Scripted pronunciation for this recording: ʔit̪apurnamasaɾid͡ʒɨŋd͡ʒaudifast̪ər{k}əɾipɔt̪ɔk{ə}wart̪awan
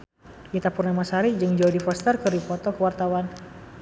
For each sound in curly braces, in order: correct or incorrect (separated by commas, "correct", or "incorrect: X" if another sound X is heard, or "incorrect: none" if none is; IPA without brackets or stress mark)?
correct, correct